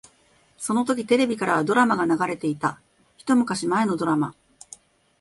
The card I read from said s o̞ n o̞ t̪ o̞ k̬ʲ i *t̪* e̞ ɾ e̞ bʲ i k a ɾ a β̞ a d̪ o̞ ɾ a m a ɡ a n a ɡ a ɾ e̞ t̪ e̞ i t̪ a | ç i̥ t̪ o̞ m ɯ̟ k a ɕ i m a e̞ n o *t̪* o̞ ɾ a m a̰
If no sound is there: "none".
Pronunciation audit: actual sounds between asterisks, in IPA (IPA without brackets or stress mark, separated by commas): t̪, d̪